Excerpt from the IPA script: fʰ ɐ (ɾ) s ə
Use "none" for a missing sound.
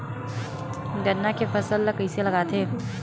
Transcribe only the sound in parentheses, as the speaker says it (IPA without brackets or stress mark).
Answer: none